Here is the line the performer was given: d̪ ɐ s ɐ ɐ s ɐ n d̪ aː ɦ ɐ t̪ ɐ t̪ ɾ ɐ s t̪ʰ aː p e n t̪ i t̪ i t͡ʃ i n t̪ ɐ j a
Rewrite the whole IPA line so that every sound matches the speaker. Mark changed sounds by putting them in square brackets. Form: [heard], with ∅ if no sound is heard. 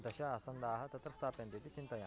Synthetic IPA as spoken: d̪ ɐ [ʃ] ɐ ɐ s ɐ n d̪ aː ɦ ɐ t̪ ɐ t̪ ɾ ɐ s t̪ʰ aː p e n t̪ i t̪ i t͡ʃ i n t̪ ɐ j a